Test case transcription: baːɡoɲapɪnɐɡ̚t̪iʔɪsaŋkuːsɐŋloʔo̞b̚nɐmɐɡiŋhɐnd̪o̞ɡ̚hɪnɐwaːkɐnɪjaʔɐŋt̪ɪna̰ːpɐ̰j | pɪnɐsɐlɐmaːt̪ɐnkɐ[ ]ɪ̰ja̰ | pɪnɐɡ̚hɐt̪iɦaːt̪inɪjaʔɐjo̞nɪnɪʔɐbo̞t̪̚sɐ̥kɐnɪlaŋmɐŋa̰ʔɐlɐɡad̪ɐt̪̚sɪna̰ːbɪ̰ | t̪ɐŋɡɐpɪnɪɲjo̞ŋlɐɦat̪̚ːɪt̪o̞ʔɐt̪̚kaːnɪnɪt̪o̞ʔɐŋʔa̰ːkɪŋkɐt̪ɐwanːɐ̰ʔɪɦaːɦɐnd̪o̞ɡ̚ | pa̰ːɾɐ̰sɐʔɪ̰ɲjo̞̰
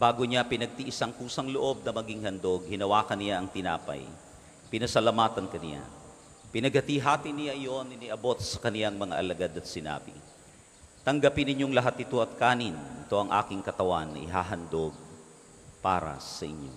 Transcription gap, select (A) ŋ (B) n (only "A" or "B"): B